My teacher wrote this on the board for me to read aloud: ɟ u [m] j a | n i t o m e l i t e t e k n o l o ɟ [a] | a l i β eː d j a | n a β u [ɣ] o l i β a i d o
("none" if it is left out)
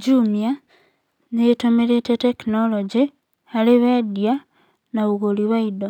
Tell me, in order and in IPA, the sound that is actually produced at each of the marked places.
m, i, ɣ

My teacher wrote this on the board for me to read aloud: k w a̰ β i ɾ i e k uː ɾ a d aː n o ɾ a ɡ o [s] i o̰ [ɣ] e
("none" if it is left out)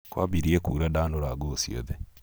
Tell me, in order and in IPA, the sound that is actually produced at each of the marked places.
s, ð

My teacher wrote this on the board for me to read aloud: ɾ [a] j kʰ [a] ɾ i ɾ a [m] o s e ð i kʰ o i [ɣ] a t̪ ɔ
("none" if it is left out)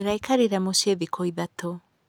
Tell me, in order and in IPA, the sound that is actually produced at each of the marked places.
a, a, m, ð

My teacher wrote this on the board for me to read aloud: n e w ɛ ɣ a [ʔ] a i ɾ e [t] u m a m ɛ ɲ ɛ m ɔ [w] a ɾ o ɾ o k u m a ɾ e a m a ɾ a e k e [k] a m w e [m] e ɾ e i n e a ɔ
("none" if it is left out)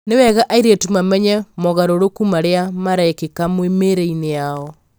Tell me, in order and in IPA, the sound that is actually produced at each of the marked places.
ʔ, t, ɣ, k, m

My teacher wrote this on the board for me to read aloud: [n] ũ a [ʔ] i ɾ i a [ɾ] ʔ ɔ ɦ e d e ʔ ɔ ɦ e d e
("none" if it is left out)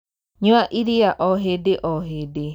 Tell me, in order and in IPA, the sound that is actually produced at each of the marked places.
ɲ, ʔ, none

